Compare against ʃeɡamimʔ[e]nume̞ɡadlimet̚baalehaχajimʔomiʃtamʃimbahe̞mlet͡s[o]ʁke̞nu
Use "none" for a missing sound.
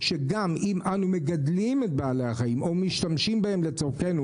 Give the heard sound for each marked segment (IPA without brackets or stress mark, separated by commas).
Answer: a, o